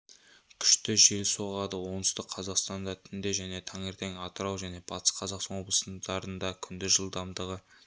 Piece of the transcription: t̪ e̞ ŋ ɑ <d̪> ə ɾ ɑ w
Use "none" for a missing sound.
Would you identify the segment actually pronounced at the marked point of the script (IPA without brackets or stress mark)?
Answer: t̪